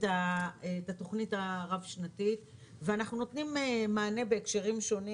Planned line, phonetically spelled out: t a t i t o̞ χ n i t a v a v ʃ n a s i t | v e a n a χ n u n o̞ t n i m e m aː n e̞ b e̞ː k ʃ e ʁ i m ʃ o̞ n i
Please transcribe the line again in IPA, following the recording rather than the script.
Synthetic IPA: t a t a t o̞ χ n i t a ʁ a v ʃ n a t i t | v e a n a χ n u n o̞ t n i m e m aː n e̞ b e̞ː k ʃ e ʁ i m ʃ o̞ n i